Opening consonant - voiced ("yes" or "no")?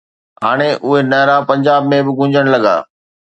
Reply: yes